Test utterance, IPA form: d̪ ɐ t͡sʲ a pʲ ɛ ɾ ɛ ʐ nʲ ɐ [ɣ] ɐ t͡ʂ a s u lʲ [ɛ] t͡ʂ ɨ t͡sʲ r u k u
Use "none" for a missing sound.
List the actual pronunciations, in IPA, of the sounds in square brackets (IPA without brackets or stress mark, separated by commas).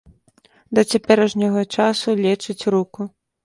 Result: ɣ, ɛ